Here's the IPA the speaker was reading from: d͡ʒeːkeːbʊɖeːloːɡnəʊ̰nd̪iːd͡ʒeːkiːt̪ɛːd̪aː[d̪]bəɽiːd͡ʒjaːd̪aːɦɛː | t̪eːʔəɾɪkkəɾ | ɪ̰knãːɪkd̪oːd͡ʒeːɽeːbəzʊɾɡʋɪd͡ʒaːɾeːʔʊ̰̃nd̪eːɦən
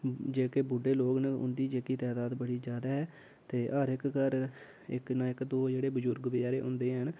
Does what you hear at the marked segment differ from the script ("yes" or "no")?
no